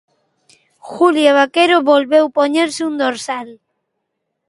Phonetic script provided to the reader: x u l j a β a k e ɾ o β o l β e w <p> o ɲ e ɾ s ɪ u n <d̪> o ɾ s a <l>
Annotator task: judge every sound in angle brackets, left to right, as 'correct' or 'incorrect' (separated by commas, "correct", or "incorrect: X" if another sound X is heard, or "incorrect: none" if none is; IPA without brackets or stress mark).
correct, correct, correct